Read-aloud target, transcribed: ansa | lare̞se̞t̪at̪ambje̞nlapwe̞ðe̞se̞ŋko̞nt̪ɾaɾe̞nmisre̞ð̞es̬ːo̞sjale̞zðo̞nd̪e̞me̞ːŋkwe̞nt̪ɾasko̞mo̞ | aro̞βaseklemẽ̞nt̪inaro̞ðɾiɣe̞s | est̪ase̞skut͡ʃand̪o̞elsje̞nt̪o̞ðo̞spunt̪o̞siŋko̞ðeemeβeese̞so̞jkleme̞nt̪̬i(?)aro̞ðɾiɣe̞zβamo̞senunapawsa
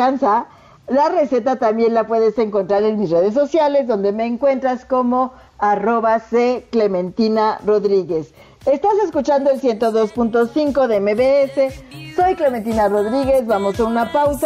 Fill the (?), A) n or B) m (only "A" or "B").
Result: A